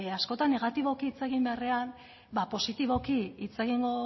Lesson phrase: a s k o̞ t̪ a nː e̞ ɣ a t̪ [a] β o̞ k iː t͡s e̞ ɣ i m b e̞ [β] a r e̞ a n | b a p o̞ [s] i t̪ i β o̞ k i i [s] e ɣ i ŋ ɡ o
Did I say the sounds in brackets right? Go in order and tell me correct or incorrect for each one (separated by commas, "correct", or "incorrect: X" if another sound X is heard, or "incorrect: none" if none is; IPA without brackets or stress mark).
incorrect: i, incorrect: none, correct, incorrect: t͡s